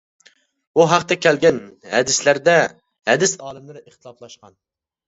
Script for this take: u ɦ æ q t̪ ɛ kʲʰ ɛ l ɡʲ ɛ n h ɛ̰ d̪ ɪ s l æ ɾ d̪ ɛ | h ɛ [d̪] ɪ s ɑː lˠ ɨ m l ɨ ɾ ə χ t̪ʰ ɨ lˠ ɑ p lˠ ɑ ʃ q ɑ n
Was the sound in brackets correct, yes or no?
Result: yes